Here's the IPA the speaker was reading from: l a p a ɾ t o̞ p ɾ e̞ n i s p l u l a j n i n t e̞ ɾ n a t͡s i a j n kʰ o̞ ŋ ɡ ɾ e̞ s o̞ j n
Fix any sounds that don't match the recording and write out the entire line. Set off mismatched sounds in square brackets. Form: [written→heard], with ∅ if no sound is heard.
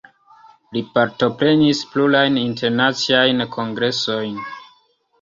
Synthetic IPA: l [a→i] p a ɾ t o̞ p ɾ e̞ n i s p l u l a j n i n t e̞ ɾ n a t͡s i a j n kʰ o̞ ŋ ɡ ɾ e̞ s o̞ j n